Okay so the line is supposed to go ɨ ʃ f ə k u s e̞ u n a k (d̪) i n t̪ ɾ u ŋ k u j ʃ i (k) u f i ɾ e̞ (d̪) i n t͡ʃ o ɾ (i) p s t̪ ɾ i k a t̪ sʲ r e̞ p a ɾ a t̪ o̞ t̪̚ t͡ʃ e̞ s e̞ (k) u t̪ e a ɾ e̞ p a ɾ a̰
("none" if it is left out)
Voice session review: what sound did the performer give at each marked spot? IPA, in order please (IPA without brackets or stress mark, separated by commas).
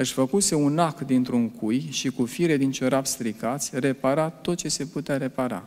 d̪, k, d̪, a, p